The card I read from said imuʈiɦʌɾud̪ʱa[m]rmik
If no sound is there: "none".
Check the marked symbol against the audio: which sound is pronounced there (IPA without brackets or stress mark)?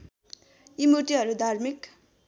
none